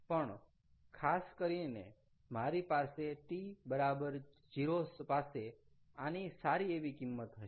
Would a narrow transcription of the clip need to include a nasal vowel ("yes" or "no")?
no